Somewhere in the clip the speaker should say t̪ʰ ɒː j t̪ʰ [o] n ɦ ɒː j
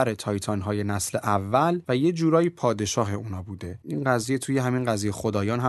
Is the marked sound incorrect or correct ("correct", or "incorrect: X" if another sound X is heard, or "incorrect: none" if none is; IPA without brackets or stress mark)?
incorrect: ɒ